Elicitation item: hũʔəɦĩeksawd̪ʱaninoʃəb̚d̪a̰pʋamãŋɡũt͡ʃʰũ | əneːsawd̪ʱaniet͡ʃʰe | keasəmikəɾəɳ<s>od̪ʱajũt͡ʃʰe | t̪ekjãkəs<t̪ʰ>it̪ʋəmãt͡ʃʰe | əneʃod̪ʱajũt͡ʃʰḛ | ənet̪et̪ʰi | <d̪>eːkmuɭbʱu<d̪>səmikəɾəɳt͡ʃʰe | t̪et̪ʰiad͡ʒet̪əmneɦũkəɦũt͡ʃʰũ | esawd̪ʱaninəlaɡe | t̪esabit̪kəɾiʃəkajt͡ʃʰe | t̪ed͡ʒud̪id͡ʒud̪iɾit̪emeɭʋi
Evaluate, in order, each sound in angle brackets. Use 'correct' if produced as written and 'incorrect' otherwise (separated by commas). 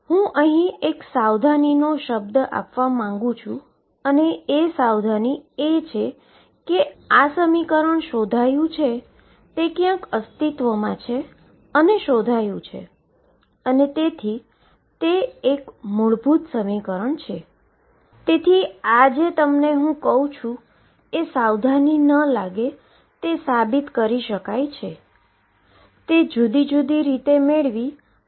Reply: incorrect, incorrect, incorrect, incorrect